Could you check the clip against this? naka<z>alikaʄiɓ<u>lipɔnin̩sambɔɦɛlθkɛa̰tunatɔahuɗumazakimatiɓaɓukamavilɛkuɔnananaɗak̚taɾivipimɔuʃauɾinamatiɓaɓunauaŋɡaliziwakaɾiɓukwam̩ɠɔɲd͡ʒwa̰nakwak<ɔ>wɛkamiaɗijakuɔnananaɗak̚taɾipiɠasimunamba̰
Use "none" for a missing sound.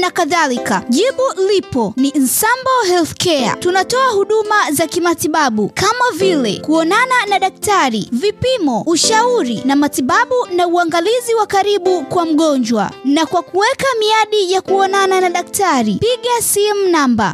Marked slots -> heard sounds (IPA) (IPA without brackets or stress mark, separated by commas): ð, u, u